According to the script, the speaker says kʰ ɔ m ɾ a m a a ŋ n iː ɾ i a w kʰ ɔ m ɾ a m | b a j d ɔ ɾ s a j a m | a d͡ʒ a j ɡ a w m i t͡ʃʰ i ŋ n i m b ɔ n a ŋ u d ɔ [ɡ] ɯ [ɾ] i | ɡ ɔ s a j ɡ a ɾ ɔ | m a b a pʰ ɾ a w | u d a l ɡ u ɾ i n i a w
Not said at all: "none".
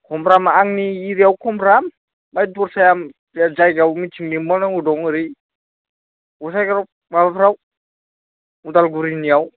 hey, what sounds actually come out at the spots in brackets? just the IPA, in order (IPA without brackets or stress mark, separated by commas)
ŋ, ɾ